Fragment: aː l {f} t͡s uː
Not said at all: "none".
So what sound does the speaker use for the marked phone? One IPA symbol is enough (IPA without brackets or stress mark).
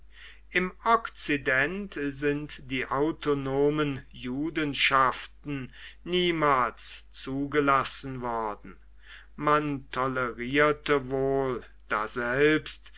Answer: s